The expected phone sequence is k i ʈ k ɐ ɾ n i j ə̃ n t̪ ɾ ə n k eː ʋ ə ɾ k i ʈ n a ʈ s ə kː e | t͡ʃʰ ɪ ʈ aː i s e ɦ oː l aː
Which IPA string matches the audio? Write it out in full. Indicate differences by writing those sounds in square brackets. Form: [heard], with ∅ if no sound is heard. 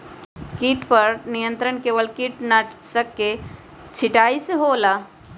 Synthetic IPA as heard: k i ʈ [p] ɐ ɾ n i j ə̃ n t̪ ɾ ə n k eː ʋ ə [l] k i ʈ n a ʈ s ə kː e | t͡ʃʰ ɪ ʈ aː i s e ɦ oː l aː